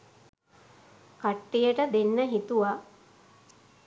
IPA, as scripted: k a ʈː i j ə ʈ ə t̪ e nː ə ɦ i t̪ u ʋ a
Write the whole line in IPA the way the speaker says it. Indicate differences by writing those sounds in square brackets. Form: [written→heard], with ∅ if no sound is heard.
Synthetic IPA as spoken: k a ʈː i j ə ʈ ə [t̪→d̪] e nː ə ɦ i t̪ u ʋ a